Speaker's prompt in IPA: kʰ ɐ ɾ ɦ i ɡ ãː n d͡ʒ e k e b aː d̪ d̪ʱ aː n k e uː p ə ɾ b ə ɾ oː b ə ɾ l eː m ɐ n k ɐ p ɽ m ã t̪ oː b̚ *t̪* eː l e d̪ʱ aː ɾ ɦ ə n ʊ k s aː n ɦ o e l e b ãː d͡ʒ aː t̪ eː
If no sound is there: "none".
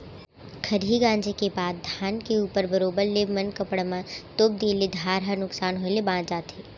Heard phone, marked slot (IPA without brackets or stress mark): d̪